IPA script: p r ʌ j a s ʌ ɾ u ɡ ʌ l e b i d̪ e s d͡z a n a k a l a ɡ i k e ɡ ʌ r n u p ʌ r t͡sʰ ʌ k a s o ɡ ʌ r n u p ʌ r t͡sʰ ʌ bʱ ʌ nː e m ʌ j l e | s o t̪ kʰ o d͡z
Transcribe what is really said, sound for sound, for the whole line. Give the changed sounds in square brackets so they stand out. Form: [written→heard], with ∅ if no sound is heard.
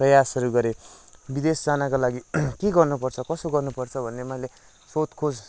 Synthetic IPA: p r ʌ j a s ʌ ɾ u ɡ ʌ [l→ɾ] e b i d̪ e s d͡z a n a k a l a ɡ i k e ɡ ʌ r n u p ʌ r t͡sʰ ʌ k [a→ʌ] s o ɡ ʌ r n u p ʌ r t͡sʰ ʌ bʱ ʌ nː e m ʌ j l e | s o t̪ kʰ o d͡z

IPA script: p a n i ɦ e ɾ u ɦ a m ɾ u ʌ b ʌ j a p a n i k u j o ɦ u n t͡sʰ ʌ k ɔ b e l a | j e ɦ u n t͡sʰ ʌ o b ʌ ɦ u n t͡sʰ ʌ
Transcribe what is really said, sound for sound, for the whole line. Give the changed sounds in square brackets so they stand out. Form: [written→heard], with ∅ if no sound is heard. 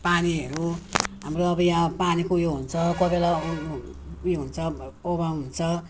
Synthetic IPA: p a n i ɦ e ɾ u ɦ a m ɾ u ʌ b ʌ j a p a n i k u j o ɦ u n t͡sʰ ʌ k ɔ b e l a | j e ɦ u n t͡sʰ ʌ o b [ʌ→a] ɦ u n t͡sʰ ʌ

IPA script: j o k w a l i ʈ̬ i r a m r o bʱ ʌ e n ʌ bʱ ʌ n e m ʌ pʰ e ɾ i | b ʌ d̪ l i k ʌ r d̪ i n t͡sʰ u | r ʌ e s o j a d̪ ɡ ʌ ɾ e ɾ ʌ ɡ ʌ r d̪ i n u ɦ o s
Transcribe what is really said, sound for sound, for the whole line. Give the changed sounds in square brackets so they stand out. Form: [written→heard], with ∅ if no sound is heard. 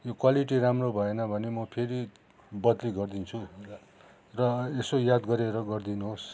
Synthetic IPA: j o k w a l i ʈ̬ i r a m r o bʱ ʌ e n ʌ bʱ ʌ n e m ʌ pʰ e ɾ i | b ʌ d̪ l i [k→ɡ] ʌ r d̪ i n t͡sʰ u | r ʌ e s o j a d̪ ɡ ʌ ɾ e ɾ ʌ ɡ ʌ r d̪ i n u ɦ o s

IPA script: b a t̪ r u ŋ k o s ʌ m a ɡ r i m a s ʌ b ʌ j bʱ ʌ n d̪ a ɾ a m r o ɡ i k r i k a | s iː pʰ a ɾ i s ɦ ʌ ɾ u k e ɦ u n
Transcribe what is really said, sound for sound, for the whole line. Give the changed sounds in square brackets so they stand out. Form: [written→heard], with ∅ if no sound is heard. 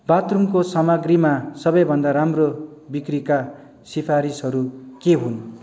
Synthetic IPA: b a t̪ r u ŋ k o s ʌ m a ɡ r i m a s ʌ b ʌ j bʱ ʌ n d̪ a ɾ a m r o [ɡ→b] i k r i k a | s [iː→i] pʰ a ɾ i s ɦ ʌ ɾ u k e ɦ u n

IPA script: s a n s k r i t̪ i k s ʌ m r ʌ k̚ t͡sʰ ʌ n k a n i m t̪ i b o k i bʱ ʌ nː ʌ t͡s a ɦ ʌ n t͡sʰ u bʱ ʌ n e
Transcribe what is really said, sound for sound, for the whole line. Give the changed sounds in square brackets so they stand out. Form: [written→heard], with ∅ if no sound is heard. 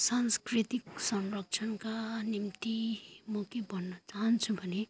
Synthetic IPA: s a n s k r i t̪ i k s ʌ m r ʌ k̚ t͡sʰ ʌ n k a n i m t̪ i [b→m] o k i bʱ ʌ nː ʌ t͡s a ɦ ʌ n t͡sʰ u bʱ ʌ n e

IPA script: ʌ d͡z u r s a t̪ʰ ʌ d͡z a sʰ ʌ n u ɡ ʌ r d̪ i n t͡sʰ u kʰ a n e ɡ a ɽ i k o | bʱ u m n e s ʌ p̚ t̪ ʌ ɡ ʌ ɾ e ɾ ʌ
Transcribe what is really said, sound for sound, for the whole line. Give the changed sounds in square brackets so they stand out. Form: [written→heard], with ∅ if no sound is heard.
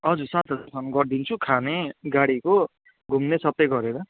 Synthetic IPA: ʌ d͡z u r s a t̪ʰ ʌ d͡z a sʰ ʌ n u ɡ ʌ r d̪ i n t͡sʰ u kʰ a n e ɡ a ɽ i k o | [bʱ→ɡʱ] u m n e s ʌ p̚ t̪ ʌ ɡ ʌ ɾ e ɾ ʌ

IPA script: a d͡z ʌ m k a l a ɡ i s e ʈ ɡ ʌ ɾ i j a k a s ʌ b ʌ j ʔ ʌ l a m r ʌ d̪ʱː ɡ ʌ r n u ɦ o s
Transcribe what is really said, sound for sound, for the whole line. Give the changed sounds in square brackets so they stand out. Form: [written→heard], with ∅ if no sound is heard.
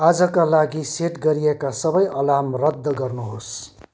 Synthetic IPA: a d͡z ʌ [m→∅] k a l a ɡ i s e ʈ ɡ ʌ ɾ i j [a→e] k a s ʌ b ʌ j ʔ ʌ l a m r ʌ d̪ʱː ɡ ʌ r n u ɦ o s

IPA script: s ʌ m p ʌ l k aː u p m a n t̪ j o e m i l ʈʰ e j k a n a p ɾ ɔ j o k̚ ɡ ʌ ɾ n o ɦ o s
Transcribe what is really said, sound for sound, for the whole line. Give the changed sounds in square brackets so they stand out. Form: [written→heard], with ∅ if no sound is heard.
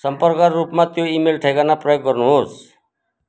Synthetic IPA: s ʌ m p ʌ [l→ɾ] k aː u p m a [n→∅] t̪ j o [e→i] m [i→e] l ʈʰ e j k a n a p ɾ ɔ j o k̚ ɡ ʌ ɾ n [o→u] ɦ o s

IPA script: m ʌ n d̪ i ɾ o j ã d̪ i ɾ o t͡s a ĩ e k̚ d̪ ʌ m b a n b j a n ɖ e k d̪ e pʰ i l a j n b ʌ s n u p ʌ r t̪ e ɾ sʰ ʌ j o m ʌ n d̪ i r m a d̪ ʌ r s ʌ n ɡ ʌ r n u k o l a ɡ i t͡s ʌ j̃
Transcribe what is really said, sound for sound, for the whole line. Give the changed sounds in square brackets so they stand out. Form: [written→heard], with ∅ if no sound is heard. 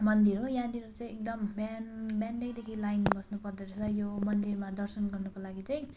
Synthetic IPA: m ʌ n d̪ i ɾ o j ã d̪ i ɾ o t͡s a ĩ e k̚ d̪ ʌ m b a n b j a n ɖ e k d̪ e [pʰ→kʰ] i l a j n b ʌ s n u p ʌ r [t̪→d̪] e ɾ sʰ ʌ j o m ʌ n d̪ i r m a d̪ ʌ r s ʌ n ɡ ʌ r n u k o l a ɡ i t͡s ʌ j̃

